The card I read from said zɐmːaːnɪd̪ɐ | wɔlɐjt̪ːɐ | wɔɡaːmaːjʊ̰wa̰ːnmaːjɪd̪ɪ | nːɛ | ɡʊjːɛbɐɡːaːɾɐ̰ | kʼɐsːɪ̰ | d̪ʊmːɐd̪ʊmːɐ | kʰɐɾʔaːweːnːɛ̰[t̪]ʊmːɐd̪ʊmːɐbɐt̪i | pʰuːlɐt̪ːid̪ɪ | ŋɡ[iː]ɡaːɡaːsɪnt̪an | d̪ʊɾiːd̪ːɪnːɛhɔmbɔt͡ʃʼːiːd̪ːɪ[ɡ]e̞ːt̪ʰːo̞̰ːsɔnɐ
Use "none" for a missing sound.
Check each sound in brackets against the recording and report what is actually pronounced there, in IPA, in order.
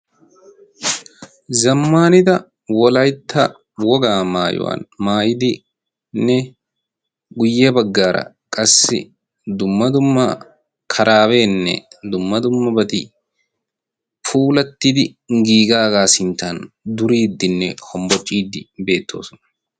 d̪, iː, b

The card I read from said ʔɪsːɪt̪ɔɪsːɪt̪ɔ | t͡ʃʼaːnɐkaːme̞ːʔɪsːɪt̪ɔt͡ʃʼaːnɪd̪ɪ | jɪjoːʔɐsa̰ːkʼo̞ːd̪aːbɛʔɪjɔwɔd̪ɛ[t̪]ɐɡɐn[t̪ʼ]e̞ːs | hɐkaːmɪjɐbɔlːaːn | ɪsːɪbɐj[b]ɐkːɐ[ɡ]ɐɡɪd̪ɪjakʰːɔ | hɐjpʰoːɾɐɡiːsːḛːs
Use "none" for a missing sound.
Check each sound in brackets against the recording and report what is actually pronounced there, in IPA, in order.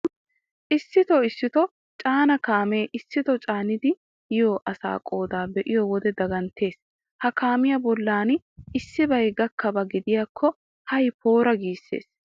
d̪, t̪, ɡ, b

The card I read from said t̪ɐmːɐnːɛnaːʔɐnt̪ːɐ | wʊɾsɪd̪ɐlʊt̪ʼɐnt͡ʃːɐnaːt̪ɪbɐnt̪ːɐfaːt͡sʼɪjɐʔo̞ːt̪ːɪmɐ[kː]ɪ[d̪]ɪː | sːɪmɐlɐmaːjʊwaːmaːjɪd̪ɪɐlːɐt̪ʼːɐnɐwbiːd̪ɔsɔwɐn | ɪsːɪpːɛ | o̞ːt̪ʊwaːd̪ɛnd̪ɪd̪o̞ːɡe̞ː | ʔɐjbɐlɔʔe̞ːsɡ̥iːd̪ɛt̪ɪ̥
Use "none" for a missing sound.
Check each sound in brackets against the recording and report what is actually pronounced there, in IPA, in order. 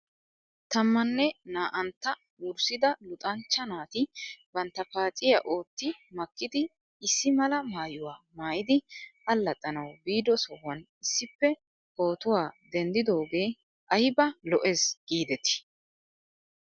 kː, d̪

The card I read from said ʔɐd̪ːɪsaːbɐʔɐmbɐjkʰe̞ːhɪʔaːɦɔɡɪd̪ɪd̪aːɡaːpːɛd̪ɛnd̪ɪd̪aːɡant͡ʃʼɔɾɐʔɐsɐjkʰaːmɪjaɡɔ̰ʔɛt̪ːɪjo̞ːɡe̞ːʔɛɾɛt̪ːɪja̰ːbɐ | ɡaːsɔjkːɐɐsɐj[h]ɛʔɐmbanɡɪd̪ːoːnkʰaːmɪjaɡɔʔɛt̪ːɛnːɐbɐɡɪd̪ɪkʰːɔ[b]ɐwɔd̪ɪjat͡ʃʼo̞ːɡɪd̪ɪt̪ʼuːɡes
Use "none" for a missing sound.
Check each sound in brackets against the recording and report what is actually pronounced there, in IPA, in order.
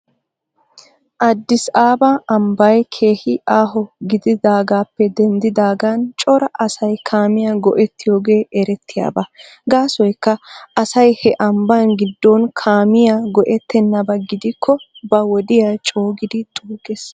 h, b

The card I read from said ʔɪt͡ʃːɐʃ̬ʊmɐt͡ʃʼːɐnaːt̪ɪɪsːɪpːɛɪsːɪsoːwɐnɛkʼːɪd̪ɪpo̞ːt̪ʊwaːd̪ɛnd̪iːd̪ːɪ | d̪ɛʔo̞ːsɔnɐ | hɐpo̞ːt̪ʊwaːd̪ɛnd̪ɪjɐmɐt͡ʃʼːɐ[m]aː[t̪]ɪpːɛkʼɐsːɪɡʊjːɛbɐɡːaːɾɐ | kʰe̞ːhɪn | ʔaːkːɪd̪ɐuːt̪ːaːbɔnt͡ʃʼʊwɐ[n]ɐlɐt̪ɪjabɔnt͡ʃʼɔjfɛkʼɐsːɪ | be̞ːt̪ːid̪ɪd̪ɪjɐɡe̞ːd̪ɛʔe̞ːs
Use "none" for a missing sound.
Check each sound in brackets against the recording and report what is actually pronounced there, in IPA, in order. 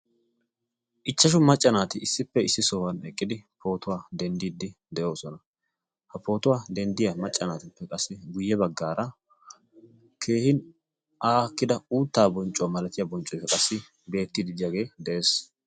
n, t̪, m

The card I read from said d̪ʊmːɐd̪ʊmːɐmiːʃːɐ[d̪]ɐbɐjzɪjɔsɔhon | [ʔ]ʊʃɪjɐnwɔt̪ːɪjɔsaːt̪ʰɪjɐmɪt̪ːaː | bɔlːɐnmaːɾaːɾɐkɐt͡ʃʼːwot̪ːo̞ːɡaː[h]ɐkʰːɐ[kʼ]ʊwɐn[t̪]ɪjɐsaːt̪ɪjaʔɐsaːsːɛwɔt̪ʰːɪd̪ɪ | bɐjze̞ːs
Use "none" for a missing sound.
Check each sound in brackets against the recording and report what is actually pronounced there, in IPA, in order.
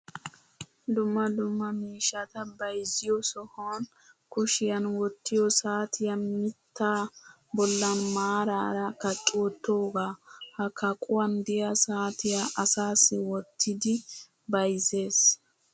t̪, k, h, kʼ, d̪

